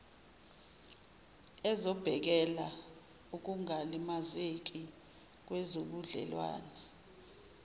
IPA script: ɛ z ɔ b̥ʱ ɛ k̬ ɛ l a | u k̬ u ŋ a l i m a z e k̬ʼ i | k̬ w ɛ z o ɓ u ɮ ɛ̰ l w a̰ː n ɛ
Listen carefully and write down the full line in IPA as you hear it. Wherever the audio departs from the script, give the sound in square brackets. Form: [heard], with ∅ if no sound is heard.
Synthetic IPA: ɛ z ɔ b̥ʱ ɛ k̬ ɛ l a | u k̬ u ŋ a l i m a z e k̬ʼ i | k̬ w ɛ z o ɓ u ɮ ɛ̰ l w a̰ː n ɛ